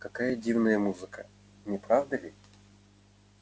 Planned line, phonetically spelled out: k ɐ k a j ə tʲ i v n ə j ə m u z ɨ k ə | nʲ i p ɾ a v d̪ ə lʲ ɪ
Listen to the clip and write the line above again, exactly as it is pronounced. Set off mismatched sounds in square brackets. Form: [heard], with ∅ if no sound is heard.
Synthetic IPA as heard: k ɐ k a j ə [dʲ] i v n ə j ə m u z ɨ k ə | nʲ [ɪ] p ɾ a v d̪ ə lʲ ɪ